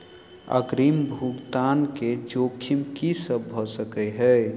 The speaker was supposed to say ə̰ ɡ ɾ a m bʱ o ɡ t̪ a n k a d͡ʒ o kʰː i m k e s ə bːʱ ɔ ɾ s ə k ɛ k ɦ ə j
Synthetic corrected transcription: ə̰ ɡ ɾ i m bʱ u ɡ t̪ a n k e d͡ʒ o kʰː i m k i s ə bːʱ ɔ s ə k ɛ ɦ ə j